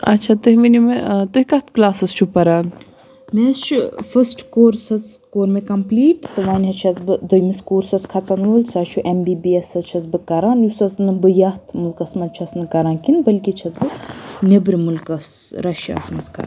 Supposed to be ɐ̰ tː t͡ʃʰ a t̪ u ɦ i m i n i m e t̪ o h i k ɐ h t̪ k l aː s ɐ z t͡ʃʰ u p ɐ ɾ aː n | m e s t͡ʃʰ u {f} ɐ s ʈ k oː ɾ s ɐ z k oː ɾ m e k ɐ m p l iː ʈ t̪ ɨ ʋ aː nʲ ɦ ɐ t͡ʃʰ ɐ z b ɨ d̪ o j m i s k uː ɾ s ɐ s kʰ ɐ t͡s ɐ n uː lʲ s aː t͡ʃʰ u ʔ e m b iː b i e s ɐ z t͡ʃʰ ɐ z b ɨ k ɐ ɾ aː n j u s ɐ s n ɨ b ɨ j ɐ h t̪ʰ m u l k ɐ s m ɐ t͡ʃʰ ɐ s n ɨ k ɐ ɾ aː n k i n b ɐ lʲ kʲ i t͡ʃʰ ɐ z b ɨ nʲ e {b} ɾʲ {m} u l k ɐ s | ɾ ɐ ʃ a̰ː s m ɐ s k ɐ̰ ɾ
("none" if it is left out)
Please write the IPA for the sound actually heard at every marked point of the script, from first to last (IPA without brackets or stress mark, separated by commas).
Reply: f, b, m